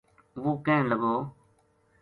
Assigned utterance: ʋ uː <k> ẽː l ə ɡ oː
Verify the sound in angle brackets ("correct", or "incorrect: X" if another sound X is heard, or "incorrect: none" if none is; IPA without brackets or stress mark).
correct